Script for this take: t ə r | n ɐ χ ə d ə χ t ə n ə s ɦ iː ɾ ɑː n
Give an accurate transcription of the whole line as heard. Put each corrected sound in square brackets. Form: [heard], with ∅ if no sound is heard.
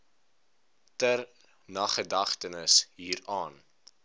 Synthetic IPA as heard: t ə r | n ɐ χ ə d [ɐ] χ t ə n ə s ɦ iː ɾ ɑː n

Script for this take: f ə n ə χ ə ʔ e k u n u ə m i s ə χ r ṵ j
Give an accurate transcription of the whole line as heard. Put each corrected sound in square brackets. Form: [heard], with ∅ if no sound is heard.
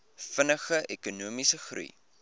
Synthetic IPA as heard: f ə n ə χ ə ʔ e k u n u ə m i s ə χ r ṵ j

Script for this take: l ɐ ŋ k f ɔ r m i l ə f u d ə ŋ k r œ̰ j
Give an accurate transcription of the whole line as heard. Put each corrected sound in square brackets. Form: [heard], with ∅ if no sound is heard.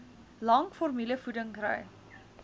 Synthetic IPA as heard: l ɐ ŋ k f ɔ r m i l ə f u d ə ŋ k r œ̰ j

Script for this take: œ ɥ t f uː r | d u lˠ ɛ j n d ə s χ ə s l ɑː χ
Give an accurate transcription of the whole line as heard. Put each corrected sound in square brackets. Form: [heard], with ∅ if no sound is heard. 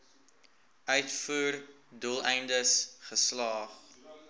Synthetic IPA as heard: œ ɥ t f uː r | d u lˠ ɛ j n d ə s χ ə s l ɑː χ

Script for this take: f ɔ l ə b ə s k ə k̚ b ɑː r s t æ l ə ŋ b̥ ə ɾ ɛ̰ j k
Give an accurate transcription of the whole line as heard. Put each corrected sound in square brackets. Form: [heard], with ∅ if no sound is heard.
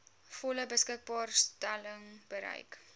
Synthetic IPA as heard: f ɔ l ə b ə s k ə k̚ b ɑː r s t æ l ə ŋ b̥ ə ɾ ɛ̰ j k

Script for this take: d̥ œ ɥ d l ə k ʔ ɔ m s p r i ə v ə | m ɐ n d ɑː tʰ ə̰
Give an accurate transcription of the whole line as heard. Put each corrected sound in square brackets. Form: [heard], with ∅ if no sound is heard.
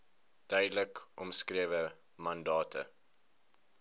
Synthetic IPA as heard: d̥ œ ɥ d l ə k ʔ ɔ m s [k] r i ə v ə | m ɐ n d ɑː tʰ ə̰

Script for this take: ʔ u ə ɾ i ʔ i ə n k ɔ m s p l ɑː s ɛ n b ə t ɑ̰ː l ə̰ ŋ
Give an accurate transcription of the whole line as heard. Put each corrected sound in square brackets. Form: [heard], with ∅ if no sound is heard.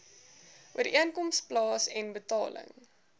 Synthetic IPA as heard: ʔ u ə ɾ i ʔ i ə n k ɔ m s p l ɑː s ɛ n b ə t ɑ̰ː l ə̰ ŋ

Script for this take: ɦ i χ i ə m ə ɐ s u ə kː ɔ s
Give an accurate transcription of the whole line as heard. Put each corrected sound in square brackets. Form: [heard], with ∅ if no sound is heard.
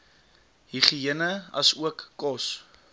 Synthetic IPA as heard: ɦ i χ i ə [n] ə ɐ s u ə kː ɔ s

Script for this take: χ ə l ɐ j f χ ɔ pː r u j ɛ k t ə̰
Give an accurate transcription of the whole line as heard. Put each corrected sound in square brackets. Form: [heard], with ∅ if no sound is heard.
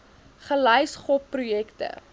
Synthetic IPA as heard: χ ə l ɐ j [s] χ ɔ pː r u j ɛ k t ə̰

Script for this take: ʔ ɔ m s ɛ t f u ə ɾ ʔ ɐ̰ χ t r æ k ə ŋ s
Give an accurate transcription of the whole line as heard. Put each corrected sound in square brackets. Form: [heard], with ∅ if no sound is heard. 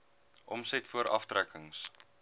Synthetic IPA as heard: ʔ ɔ m s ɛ t f u ə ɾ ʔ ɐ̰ [f] t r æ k ə ŋ s

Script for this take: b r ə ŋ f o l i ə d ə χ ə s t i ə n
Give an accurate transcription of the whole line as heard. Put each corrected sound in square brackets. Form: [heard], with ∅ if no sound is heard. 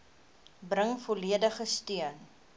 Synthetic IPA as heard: b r ə ŋ f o l i ə d ə χ ə s t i ə n

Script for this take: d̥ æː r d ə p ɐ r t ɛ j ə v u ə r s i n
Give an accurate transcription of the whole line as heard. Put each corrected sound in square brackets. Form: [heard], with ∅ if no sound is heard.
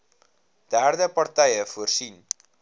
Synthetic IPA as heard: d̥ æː r d ə p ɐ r t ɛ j ə [f] u ə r s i n

